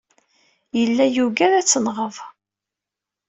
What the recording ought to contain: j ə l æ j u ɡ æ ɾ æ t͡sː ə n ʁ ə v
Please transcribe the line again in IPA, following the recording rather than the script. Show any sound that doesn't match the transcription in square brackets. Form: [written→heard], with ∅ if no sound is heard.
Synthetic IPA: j ə [l→lː] æ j u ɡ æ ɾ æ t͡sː ə n ʁ ə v

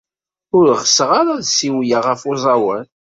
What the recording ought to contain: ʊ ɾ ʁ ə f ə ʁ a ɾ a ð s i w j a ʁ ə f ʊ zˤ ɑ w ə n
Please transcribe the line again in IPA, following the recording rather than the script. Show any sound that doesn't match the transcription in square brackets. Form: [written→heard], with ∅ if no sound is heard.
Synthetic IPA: ʊ ɾ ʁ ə [f→s] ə ʁ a ɾ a ð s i w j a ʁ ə f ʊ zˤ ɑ w ə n

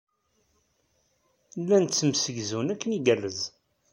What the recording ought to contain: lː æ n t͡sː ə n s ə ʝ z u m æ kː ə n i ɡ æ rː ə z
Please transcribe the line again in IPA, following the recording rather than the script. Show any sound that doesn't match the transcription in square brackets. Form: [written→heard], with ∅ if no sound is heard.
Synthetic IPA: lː æ n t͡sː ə [n→m] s ə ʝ z u [m→n] æ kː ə n i ɡ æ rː ə z

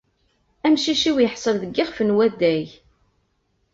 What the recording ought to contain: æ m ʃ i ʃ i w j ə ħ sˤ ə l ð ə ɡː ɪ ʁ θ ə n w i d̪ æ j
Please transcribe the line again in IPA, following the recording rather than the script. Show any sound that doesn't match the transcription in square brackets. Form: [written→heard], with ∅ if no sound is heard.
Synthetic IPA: æ m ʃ i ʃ i w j ə ħ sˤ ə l ð ə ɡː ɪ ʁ [θ→f] ə n w [i→æ] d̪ æ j

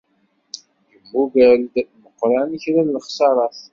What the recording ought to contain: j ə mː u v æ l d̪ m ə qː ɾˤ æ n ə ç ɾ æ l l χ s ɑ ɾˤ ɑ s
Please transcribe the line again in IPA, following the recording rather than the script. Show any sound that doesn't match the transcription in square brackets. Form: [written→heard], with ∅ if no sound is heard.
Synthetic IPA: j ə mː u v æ l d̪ m ə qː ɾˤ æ n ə ç ɾ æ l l χ s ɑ ɾˤ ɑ [s→θ]

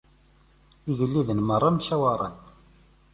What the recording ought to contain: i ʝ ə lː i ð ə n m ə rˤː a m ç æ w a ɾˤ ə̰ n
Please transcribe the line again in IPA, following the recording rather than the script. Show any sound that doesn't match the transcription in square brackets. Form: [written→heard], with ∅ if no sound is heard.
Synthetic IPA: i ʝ ə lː i ð ə n m ə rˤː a m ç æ w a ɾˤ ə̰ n

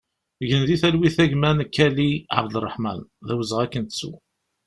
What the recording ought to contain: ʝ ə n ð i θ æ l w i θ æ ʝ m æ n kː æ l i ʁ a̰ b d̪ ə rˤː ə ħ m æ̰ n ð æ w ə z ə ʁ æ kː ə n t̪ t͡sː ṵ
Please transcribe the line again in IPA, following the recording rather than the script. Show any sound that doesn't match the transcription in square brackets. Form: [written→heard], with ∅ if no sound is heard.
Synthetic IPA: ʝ ə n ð i θ æ l w i θ æ ʝ m æ n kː æ l i [ʁ→ʕ] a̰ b d̪ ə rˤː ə ħ m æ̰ n ð æ w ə z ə ʁ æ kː ə n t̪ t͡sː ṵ

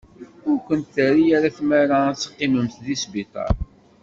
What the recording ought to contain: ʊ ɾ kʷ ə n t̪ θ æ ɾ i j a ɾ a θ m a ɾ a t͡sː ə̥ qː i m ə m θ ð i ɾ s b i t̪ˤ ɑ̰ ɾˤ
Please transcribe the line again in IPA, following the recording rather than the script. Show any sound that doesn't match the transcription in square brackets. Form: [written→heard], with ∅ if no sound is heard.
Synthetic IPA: ʊ ɾ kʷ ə n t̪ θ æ ɾ i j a ɾ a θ m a ɾ a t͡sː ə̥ qː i m ə m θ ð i [ɾ→∅] s b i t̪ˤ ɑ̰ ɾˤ

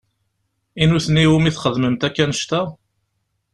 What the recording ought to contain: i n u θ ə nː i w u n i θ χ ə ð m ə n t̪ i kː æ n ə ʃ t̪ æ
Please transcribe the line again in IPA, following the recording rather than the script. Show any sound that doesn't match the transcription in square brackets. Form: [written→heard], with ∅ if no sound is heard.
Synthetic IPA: i n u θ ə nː i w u [n→m] i θ χ ə ð m ə [n→m] t̪ [i→æ] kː æ n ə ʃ t̪ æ

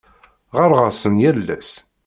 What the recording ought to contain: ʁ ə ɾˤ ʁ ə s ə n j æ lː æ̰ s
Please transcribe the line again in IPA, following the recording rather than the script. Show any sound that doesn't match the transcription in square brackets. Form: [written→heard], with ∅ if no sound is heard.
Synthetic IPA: ʁ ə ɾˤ ʁ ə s ə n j æ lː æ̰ s

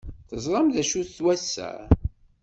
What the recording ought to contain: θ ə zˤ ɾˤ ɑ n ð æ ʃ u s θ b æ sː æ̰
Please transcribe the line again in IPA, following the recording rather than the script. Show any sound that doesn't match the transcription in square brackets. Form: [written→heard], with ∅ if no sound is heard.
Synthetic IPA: θ ə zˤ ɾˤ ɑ [n→m] ð æ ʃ u [s→θ] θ [b→w] æ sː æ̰

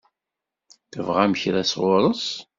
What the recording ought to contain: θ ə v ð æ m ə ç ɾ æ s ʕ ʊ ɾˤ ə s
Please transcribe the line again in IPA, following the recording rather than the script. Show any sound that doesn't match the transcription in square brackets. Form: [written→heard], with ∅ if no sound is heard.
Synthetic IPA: θ ə v [ð→ʁ] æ m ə ç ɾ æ s [ʕ→ʁ] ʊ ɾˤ ə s

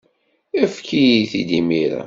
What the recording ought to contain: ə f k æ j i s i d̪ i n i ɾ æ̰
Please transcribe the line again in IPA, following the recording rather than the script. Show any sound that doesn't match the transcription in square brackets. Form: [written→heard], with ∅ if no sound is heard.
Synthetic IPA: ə f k [æ→i] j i [s→θ] i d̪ i [n→m] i ɾ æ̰

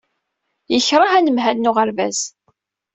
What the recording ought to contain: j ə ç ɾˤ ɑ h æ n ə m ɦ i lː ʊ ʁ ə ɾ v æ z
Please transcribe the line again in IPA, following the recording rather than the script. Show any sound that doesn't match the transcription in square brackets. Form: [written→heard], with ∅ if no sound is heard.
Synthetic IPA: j ə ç ɾˤ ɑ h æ n ə m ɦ [i→æ] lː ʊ ʁ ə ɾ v æ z

